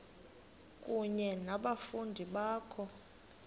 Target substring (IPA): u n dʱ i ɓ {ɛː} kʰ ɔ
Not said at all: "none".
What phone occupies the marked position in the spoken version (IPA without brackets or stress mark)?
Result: aː